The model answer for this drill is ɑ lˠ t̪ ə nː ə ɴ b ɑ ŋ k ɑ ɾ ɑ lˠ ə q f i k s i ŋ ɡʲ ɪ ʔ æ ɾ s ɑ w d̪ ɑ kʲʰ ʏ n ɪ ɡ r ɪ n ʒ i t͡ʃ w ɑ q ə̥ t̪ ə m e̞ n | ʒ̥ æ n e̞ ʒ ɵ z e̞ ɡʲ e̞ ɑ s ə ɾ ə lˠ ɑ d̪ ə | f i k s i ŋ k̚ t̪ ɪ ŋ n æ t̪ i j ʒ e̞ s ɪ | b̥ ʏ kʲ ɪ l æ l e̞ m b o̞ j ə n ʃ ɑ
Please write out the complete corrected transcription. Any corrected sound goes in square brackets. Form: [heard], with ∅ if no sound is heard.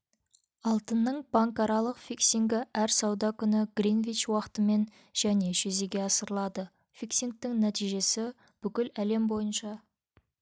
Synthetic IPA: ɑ lˠ t̪ ə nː ə ɴ b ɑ ŋ k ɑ ɾ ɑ lˠ ə q f i k s i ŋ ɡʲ ɪ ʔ æ ɾ s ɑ w d̪ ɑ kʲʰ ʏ n ɪ ɡ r [i] n [v] i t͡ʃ w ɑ q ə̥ t̪ ə m e̞ n | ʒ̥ æ n e̞ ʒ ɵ z e̞ ɡʲ e̞ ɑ s ə ɾ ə lˠ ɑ d̪ ə | f i k s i ŋ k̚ t̪ ɪ ŋ n æ t̪ i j ʒ e̞ s ɪ | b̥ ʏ kʲ ɪ l æ l e̞ m b o̞ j ə n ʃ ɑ